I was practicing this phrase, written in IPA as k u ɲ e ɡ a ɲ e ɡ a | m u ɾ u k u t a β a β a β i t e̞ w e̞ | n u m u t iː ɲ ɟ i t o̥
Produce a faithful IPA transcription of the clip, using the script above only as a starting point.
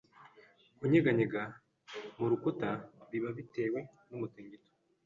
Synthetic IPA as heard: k u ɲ e ɡ a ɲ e ɡ a | m u ɾ u k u t a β i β a β i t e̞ w e̞ | n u m u t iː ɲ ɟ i t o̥